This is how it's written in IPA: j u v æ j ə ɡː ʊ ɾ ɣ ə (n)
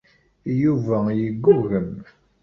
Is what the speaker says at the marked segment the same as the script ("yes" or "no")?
no